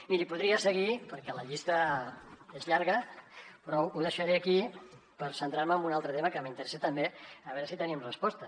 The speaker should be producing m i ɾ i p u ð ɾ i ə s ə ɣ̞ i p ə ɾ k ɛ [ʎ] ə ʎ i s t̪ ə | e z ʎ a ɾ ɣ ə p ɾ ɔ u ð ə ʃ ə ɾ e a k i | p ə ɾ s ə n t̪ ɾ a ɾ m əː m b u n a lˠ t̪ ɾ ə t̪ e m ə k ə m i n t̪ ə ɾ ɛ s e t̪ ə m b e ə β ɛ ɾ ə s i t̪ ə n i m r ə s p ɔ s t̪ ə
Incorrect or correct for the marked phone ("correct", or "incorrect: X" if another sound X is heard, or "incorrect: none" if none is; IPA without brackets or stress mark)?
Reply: incorrect: l